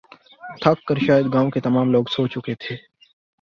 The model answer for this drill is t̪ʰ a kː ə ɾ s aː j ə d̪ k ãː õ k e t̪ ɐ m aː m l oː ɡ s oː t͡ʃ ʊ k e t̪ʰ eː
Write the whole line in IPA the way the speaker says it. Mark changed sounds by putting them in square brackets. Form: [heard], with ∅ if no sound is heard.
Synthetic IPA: t̪ʰ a kː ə ɾ [ʃ] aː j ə d̪ [ɡ] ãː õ k e t̪ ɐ m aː m l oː ɡ s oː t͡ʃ ʊ k e t̪ʰ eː